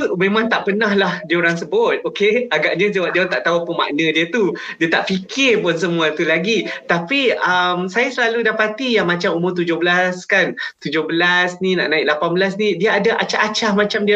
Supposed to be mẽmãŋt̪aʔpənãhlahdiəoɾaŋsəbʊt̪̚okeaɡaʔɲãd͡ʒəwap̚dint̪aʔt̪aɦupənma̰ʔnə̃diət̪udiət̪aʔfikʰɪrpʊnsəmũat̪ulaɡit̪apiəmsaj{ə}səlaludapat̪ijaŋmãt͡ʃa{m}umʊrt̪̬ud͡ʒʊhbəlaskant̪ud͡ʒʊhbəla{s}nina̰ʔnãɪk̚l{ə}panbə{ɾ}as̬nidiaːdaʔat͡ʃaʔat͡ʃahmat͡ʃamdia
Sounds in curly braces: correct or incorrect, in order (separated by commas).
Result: incorrect, correct, correct, incorrect, incorrect